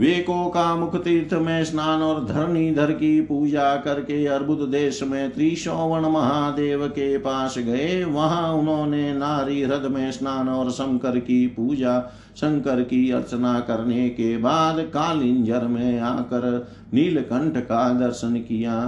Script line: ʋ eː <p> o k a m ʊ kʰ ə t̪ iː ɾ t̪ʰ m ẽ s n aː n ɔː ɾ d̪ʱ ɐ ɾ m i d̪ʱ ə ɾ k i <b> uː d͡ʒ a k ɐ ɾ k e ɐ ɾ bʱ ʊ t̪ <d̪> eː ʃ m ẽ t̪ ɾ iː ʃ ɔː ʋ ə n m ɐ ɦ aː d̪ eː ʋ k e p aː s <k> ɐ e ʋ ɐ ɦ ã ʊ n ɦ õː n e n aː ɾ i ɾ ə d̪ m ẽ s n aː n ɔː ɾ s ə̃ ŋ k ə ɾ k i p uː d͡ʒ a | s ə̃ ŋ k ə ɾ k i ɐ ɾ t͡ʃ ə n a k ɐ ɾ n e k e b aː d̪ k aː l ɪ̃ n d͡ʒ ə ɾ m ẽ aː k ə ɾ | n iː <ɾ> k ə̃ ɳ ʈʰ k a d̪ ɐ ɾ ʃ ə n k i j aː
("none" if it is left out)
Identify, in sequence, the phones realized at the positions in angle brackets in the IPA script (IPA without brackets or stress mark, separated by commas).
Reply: k, p, d̪, ɡ, l